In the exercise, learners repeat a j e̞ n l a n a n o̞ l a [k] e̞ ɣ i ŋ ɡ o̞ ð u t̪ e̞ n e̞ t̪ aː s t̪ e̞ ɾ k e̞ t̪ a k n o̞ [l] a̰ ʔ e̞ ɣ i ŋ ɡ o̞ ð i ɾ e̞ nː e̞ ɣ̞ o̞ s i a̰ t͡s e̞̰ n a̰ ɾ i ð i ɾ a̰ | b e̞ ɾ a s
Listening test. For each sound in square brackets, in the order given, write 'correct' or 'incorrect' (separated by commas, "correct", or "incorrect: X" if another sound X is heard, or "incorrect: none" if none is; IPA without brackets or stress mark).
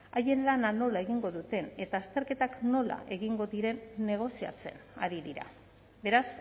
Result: incorrect: none, correct